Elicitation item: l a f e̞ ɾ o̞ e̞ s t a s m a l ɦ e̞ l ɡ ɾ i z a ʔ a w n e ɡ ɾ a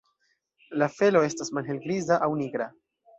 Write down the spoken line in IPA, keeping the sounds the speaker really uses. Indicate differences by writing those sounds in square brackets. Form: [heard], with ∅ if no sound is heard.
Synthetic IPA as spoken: l a f e̞ [l] o̞ e̞ s t a s m a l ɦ e̞ l ɡ ɾ i z a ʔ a w n [i] ɡ ɾ a